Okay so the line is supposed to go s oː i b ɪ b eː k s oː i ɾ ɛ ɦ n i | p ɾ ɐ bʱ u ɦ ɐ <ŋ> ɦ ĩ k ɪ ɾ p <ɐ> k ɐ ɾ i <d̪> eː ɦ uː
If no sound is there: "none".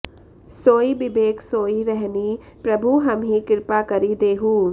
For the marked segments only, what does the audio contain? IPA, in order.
m, a, d̪

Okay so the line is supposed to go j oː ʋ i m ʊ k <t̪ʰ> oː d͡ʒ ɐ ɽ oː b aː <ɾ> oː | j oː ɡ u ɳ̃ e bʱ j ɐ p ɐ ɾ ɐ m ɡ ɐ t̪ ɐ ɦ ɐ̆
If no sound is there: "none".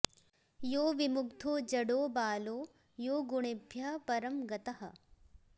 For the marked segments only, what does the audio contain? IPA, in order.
t̪ʰ, l

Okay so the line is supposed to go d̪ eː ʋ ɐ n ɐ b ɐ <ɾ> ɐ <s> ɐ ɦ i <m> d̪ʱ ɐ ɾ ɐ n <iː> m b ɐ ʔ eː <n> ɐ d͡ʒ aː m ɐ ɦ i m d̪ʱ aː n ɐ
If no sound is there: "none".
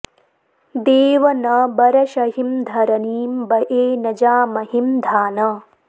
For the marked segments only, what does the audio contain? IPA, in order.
ɾ, ʃ, m, iː, n

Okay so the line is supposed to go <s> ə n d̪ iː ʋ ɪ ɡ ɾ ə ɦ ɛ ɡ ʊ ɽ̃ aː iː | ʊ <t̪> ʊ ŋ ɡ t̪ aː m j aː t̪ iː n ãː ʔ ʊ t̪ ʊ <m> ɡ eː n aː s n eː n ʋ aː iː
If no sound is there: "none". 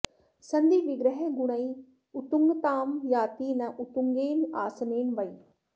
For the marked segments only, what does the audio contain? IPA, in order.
s, t̪, ŋ

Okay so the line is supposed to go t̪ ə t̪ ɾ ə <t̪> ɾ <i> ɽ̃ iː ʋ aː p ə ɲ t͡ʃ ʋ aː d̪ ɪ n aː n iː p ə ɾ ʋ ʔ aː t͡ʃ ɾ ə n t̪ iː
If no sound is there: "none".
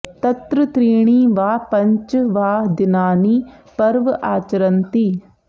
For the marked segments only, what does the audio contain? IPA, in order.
t̪, iː

